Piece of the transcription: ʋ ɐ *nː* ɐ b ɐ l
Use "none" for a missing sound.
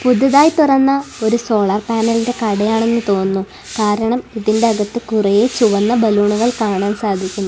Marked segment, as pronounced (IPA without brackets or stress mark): nː